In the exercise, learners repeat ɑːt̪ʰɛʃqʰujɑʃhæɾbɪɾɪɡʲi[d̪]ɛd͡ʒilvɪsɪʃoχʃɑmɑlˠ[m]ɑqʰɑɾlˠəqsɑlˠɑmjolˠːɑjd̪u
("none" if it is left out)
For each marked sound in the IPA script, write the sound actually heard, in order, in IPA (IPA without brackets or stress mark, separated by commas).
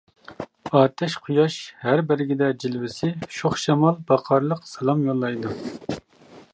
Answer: d̪, b